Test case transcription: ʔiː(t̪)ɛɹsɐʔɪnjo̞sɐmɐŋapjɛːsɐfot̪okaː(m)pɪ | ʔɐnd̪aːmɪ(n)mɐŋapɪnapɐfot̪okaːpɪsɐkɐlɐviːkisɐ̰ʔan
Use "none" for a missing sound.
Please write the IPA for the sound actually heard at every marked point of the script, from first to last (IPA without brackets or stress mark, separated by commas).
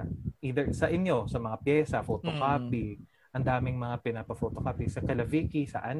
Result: d̪, none, ŋ